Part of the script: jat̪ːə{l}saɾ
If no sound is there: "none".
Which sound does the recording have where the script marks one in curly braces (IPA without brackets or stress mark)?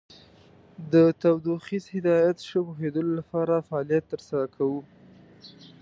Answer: ɾ